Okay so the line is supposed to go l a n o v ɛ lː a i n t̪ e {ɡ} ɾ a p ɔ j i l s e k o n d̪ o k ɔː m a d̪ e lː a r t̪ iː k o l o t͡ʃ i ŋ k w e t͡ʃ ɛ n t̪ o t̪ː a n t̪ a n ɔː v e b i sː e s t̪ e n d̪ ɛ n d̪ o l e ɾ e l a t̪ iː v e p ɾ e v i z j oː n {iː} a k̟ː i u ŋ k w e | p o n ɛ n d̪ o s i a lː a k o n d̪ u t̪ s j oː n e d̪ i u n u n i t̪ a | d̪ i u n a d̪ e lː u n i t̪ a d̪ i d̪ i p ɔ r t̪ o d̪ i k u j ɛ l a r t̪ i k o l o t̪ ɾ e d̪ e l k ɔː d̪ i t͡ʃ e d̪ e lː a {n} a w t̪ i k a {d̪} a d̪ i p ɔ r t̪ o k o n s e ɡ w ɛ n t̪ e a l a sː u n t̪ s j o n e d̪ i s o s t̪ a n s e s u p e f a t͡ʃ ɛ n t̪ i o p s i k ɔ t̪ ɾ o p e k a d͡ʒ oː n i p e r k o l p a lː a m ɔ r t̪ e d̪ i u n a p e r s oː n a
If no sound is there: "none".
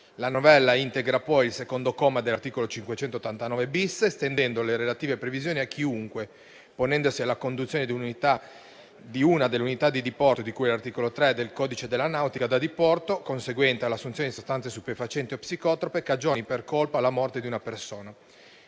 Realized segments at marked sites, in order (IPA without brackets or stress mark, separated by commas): ɡ, i, n, d̪